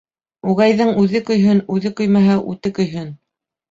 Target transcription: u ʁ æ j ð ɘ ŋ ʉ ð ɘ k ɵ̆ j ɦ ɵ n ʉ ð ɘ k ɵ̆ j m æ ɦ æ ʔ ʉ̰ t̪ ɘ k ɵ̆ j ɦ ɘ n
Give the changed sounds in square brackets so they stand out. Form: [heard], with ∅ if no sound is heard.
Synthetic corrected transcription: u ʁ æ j ð ɘ ŋ ʉ ð ɘ k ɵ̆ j ɦ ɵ n ʉ ð ɘ k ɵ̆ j m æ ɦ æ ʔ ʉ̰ t̪ ɘ k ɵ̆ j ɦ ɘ n